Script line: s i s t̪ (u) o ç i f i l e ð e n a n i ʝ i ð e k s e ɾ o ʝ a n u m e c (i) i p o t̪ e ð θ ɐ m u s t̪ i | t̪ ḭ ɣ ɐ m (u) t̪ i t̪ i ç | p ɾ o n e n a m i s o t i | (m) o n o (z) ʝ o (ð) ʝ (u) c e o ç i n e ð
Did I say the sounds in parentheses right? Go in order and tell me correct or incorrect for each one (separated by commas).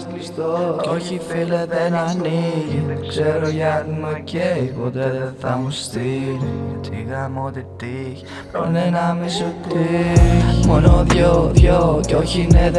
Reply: incorrect, incorrect, incorrect, correct, incorrect, correct, incorrect